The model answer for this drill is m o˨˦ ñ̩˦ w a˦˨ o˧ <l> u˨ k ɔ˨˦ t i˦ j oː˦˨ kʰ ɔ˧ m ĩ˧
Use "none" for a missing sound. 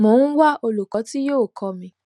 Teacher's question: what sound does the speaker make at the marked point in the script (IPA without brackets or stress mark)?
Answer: l